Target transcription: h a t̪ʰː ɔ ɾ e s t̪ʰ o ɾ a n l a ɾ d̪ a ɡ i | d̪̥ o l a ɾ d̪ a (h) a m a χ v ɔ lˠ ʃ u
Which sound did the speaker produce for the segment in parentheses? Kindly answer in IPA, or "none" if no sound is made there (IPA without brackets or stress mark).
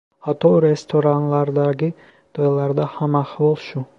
h